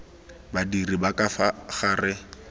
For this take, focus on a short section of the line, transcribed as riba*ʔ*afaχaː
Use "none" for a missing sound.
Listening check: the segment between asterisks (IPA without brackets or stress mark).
k